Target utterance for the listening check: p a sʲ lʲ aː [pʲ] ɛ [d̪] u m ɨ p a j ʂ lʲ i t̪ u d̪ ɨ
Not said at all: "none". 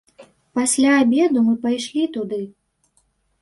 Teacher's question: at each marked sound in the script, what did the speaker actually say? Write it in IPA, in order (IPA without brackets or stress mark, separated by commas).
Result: bʲ, d̪